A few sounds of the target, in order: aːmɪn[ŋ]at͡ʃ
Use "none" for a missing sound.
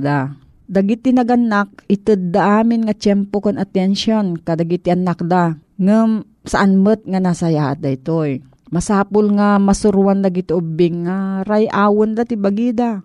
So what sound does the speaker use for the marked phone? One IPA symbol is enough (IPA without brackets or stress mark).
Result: ŋ